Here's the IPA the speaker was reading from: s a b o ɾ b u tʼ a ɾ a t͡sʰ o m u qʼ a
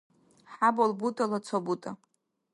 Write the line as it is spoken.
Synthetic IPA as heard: ħ a b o l b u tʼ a l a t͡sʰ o b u tʼ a